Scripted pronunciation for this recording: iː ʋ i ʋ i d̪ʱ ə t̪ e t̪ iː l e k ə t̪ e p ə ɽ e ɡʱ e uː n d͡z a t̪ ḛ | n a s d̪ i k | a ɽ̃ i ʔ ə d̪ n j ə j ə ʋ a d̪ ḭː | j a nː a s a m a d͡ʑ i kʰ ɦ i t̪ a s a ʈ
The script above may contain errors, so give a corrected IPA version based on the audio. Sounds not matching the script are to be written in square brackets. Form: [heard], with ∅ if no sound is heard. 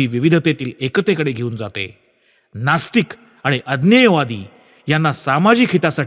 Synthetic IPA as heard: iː ʋ i ʋ i d̪ʱ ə t̪ e t̪ iː l e k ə t̪ e [k] ə ɽ e ɡʱ e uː n d͡z a t̪ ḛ | n a s [t̪] i k | a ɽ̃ i ʔ ə d̪ n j ə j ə ʋ a d̪ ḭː | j a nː a s a m a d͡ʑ i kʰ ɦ i t̪ a s a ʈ